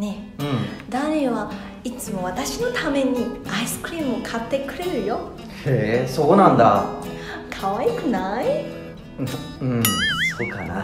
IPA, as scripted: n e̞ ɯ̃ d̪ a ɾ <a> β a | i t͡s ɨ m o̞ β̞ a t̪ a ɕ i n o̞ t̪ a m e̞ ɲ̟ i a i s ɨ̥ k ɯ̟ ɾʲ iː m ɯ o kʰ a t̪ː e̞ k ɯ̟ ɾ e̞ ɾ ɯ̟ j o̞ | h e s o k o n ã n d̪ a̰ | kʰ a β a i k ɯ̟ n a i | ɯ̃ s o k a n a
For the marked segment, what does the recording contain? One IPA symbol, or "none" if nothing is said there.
e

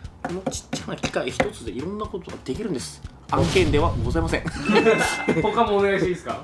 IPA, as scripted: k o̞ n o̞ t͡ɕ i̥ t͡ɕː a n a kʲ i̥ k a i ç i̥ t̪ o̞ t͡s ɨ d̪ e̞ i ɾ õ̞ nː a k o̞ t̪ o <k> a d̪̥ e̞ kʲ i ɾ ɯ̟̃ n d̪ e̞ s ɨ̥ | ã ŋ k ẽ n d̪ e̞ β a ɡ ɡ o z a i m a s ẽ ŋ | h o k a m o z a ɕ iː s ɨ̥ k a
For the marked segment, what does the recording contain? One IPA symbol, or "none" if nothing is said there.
ɡ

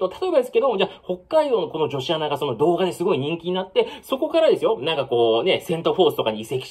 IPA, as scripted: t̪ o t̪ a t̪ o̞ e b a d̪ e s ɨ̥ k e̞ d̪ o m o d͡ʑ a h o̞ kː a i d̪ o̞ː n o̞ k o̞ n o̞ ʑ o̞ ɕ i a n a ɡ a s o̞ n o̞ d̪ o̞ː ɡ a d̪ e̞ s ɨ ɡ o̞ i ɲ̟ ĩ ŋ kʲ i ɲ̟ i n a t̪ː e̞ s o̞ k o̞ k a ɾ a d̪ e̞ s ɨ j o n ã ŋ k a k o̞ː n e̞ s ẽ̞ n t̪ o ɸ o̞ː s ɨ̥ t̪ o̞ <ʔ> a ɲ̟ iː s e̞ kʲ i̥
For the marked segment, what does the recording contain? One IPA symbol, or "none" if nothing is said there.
k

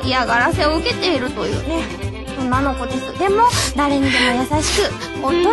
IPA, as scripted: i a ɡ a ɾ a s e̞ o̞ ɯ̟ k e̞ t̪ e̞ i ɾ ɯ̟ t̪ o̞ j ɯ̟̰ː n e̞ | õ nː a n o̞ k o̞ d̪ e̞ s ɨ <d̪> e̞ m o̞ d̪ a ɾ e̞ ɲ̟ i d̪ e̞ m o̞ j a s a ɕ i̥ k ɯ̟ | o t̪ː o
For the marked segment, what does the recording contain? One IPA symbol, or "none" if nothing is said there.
d̪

